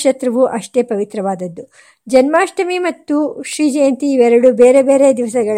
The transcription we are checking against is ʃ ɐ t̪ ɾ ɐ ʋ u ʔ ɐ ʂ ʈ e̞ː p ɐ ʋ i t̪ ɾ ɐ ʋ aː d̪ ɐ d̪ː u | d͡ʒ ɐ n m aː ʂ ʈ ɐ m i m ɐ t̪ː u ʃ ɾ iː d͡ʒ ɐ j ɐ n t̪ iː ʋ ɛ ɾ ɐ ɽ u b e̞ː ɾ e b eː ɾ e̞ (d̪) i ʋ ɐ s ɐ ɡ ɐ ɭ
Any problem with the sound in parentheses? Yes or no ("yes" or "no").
no